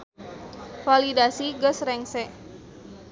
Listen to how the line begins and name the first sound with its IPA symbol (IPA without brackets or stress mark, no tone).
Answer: f